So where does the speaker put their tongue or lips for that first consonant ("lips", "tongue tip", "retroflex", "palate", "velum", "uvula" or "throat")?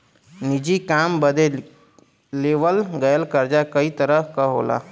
tongue tip